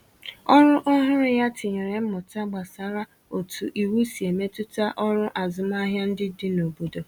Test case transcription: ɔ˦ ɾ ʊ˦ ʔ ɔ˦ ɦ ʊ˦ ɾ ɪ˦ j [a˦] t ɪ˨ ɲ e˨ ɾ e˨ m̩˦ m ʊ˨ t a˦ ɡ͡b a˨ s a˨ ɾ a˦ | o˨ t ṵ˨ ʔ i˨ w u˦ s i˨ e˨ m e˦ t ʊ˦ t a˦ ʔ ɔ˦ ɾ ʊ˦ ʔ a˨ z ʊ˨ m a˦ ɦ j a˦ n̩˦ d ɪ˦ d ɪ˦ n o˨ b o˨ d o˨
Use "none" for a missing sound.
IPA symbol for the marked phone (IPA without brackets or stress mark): a˦